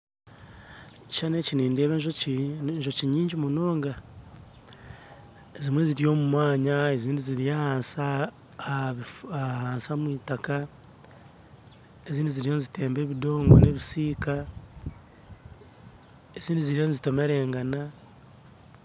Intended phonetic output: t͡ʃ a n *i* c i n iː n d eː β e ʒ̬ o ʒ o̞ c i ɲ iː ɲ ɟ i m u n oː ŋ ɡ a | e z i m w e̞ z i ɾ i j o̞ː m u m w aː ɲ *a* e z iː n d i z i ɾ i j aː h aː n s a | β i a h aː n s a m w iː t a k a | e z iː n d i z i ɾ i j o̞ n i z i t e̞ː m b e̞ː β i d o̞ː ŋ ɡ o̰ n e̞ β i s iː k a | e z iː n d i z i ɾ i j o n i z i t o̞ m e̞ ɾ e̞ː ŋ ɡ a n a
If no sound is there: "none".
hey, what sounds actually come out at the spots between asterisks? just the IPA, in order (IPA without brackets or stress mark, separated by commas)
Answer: e, a